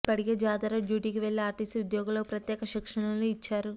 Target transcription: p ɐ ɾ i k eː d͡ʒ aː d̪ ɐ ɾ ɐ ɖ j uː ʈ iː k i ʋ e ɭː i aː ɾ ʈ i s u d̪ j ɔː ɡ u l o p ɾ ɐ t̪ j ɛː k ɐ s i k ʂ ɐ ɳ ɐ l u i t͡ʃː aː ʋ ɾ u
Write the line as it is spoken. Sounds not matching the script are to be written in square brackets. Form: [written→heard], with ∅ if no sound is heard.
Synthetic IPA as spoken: p ɐ [ɾ→ɽ] i [k→ɡ] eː d͡ʒ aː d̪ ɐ ɾ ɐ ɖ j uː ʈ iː k i ʋ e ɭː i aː ɾ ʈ i s u d̪ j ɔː ɡ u l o p ɾ ɐ t̪ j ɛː k ɐ [s→ʃ] i k ʂ ɐ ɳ ɐ l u i t͡ʃː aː [ʋ→∅] ɾ u